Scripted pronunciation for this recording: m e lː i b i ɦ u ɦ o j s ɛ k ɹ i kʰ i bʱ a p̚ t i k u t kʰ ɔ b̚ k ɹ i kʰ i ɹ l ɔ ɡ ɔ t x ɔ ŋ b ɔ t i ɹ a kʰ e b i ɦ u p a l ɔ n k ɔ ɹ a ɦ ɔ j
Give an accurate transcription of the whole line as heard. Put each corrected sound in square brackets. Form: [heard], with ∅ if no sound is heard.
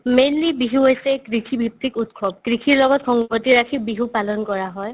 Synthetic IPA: m e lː i b i ɦ u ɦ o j s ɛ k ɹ i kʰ i bʱ [i] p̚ t i k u t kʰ ɔ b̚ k ɹ i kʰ i ɹ l ɔ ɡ ɔ t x ɔ ŋ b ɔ t i ɹ a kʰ [i] b i ɦ u p a l ɔ n k ɔ ɹ a ɦ ɔ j